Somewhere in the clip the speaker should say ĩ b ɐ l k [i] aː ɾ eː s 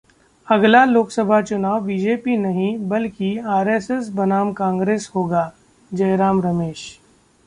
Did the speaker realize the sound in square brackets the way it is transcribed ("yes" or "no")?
yes